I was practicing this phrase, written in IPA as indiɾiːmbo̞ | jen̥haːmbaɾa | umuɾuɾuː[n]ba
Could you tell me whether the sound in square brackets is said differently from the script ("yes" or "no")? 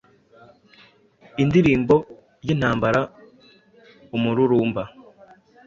yes